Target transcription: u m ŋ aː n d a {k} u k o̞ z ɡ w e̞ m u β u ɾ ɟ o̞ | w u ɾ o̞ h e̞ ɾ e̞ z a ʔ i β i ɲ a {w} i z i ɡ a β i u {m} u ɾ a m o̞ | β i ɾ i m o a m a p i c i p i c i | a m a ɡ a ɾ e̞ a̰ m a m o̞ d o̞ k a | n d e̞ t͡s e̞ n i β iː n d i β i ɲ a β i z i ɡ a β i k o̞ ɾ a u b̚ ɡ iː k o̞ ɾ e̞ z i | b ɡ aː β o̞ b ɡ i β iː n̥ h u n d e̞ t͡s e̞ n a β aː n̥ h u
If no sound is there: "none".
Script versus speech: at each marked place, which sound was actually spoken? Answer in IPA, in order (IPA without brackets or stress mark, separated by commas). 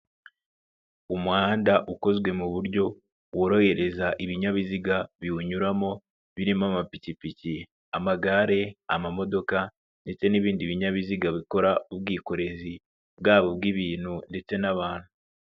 ʔ, β, ɲ